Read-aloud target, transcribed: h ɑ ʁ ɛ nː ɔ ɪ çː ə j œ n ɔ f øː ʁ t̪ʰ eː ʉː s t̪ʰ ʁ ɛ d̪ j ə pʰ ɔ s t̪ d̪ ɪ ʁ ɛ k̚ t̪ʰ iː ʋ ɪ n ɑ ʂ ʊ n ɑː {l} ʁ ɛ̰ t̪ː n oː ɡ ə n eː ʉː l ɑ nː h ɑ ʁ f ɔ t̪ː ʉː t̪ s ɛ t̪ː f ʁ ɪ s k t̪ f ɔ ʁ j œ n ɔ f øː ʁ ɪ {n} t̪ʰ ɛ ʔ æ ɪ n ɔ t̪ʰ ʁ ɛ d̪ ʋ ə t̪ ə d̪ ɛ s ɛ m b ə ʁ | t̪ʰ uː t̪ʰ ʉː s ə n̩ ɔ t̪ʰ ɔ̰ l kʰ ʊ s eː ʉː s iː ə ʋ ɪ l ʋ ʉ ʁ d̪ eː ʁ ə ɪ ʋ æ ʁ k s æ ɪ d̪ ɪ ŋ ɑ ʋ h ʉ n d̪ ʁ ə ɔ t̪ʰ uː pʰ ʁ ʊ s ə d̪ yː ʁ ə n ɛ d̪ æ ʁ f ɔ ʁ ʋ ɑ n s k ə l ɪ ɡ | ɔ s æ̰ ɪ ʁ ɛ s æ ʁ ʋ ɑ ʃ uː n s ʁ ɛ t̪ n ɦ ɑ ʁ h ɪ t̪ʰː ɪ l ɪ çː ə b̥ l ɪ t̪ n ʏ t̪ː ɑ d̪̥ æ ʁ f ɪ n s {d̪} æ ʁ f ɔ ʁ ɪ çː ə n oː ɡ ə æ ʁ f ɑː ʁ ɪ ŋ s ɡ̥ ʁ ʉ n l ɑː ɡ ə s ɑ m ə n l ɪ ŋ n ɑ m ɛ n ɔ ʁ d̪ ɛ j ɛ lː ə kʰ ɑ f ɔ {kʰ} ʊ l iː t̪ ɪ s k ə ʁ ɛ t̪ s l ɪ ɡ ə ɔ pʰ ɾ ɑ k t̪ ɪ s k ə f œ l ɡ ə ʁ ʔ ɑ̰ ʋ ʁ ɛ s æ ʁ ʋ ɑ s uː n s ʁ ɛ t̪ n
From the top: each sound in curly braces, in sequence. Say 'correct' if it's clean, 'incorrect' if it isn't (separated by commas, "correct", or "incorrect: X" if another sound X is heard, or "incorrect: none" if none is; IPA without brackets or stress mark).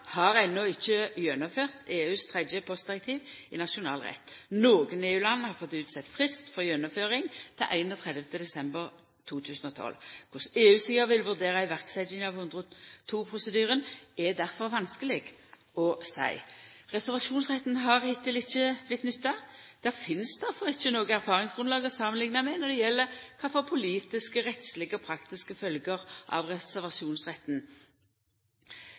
correct, incorrect: ŋ, correct, incorrect: pʰ